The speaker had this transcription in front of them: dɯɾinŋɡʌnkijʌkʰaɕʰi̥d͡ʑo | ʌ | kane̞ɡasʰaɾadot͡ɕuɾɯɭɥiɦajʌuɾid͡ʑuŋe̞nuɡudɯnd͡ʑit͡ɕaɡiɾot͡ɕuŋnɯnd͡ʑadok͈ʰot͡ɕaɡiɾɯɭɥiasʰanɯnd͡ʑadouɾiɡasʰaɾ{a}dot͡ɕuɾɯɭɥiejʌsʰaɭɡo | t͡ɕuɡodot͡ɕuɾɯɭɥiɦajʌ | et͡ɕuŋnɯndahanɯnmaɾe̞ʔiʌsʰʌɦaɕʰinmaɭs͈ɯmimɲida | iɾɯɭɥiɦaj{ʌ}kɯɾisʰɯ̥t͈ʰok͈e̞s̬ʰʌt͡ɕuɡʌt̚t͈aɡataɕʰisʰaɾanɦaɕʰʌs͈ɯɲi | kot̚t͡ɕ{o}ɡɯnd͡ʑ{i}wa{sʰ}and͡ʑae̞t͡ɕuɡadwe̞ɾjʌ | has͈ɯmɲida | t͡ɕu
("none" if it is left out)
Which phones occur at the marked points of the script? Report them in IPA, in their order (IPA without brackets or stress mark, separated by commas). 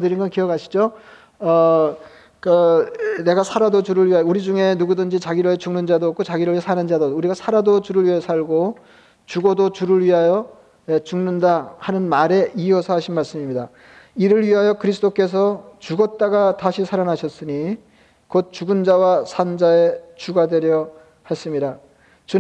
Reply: a, ʌ, u, a, sʰ